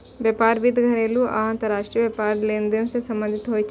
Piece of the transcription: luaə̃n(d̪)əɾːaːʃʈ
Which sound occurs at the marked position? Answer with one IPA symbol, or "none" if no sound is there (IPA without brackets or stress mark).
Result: t̪